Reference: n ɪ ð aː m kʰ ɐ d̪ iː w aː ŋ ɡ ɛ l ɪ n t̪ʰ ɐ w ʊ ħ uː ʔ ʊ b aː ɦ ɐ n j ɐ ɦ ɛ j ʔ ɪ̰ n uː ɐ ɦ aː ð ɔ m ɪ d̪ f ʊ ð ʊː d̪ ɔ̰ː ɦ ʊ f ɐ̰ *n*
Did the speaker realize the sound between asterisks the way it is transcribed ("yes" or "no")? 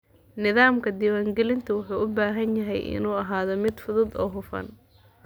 yes